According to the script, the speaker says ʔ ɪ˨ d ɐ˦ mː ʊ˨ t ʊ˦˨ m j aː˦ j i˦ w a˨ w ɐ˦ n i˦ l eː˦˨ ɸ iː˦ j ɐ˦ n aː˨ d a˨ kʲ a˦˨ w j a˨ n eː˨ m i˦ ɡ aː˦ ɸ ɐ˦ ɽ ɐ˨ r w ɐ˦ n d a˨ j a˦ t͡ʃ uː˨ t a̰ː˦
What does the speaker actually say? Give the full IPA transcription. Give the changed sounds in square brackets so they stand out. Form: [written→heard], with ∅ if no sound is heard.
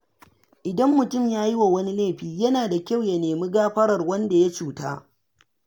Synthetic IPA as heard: ʔ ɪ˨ d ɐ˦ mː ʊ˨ t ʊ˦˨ m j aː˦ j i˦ w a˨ w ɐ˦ n i˦ l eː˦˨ ɸ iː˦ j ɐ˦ n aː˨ d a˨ kʲ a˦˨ w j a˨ n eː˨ m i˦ ɡ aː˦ ɸ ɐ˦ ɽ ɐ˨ r w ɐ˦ n d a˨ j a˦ t͡ʃ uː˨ t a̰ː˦